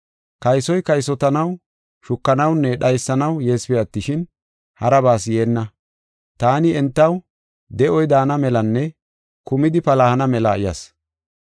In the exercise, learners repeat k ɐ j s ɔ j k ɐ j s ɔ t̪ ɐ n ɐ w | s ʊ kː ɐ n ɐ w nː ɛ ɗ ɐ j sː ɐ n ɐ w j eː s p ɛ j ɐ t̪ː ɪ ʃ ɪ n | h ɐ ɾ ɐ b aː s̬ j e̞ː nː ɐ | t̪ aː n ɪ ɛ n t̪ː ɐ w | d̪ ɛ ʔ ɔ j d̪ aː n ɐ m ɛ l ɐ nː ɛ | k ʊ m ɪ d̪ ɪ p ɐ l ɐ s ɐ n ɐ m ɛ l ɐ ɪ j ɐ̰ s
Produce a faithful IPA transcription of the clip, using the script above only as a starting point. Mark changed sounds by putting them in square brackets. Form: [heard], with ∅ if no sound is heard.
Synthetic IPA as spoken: k ɐ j s ɔ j k ɐ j s ɔ t̪ ɐ n ɐ w | [ʃ] ʊ kː ɐ n ɐ w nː ɛ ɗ ɐ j sː ɐ n ɐ w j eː s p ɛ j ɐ t̪ː ɪ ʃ ɪ n | h ɐ ɾ ɐ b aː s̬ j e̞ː nː ɐ | t̪ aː n ɪ ɛ n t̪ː ɐ w | d̪ ɛ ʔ ɔ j d̪ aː n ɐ m ɛ l ɐ nː ɛ | k ʊ m ɪ d̪ ɪ p ɐ l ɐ [h] ɐ n ɐ m ɛ l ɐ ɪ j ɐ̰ s